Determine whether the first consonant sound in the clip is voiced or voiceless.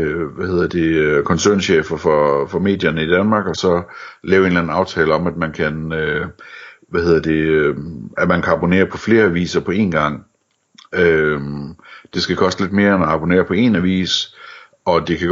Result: voiced